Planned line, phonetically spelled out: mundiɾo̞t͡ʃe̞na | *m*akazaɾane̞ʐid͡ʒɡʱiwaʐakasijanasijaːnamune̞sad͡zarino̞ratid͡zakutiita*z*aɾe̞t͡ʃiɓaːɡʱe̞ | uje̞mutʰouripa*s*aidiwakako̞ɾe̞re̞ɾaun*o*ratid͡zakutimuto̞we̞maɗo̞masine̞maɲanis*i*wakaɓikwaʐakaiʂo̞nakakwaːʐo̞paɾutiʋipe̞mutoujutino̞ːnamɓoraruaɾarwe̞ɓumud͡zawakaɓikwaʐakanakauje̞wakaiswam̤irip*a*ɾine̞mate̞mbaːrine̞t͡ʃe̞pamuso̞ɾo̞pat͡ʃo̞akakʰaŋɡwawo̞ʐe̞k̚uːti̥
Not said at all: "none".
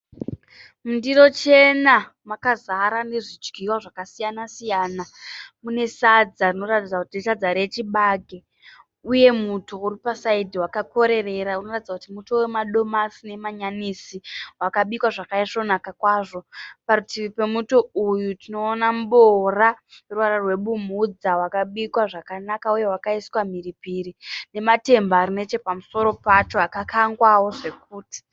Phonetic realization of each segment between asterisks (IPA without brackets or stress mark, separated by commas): m, d͡z, s, o, i, i